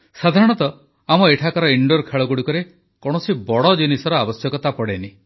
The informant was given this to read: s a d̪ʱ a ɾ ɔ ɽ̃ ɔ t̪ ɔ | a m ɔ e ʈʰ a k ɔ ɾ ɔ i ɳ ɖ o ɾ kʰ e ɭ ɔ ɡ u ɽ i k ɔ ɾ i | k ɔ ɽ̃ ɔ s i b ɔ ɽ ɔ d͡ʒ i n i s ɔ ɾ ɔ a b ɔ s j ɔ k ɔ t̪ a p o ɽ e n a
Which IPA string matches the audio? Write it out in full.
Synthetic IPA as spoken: s a d̪ʱ a ɾ ɔ ɽ̃ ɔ t̪ ɔ | a m ɔ e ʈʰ a k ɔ ɾ ɔ i ɳ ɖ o ɾ kʰ e ɭ ɔ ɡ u ɽ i k ɔ ɾ e | k ɔ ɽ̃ ɔ s i b ɔ ɽ ɔ d͡ʒ i n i s ɔ ɾ ɔ a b ɔ s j ɔ k ɔ t̪ a p ɔ ɽ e n i